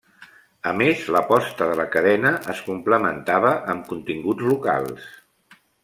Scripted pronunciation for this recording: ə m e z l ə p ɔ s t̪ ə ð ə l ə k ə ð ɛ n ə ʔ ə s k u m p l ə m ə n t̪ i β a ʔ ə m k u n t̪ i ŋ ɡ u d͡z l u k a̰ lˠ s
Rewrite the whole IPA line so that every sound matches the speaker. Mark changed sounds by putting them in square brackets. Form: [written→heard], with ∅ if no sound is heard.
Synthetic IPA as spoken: ə m e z l ə p ɔ s t̪ ə ð ə l ə k ə ð ɛ n ə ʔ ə s k u m p l ə m ə n t̪ [i→a] β [a→ə] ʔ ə m k u n t̪ i ŋ ɡ u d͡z l u k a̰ lˠ s